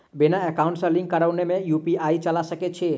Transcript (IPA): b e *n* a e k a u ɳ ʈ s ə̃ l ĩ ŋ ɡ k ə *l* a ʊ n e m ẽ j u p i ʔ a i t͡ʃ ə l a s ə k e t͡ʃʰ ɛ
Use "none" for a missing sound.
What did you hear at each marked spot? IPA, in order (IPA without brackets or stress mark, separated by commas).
n, ɾ